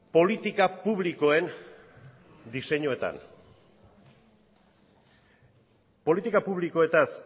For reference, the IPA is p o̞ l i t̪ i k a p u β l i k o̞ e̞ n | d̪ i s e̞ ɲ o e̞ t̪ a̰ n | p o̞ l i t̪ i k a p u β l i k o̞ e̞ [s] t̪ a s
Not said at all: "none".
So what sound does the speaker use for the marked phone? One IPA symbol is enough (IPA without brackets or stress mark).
none